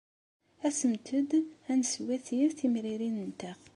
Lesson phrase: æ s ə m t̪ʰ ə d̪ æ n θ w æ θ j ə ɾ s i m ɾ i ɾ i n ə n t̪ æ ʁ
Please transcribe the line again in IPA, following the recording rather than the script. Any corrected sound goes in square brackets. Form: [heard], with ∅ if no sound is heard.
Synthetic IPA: æ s ə m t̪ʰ ə d̪ æ n [s] w æ θ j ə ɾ [θ] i m ɾ i ɾ i n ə n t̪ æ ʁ